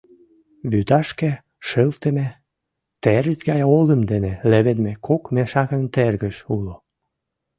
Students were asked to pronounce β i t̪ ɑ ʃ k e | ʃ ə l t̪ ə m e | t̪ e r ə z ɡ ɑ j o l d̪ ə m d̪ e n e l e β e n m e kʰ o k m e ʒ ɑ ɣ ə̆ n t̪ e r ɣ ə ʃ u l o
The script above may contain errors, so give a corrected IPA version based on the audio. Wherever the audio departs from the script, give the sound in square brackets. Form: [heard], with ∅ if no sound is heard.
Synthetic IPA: β [y] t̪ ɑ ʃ k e | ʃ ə l t̪ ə m e | t̪ e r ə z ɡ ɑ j o l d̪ ə m d̪ e n e l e β e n m e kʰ o k m e [ʃ] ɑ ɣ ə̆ n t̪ e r ɣ ə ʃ u l o